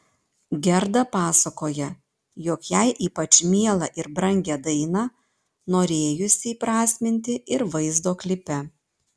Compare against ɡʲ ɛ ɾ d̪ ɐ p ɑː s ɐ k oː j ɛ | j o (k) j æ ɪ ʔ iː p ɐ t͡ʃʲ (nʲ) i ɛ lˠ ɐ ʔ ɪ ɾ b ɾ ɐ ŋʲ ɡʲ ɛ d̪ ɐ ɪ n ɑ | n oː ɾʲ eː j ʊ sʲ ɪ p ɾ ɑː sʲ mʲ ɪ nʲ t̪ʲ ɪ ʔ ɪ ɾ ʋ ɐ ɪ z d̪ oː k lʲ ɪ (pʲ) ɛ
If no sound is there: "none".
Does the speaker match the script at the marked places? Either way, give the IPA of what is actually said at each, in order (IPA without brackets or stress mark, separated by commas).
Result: k, mʲ, pʲ